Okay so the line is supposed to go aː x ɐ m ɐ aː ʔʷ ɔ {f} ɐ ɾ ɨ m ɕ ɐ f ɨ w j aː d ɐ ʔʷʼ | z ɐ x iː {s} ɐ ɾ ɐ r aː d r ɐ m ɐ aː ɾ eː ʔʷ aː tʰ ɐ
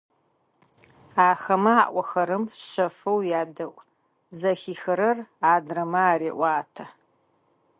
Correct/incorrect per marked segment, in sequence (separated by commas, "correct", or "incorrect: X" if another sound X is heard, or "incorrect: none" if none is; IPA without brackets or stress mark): incorrect: x, incorrect: x